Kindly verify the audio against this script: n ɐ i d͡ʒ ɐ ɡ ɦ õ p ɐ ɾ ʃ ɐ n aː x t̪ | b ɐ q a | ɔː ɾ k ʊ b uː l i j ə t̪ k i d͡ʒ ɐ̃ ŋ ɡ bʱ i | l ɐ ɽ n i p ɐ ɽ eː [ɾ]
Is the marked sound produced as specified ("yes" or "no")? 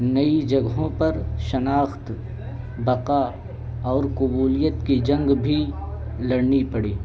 no